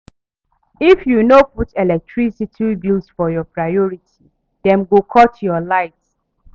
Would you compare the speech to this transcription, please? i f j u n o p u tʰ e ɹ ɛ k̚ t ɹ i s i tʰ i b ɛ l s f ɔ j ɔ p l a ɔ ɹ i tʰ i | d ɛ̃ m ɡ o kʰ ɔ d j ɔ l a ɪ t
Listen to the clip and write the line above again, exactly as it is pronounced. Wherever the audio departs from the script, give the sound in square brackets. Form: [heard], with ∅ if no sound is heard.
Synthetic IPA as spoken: i f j u n o p u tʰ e [l] ɛ k̚ t ɹ i s i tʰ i b [i] l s f ɔ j ɔ p [ɹ] a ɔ ɹ i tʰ i | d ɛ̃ m ɡ o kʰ ɔ [t] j ɔ l a ɪ t